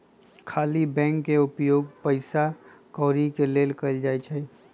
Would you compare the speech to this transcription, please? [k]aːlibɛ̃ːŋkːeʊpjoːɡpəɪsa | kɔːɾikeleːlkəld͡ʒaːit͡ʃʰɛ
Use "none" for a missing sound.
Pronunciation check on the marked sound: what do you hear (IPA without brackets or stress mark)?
kʰ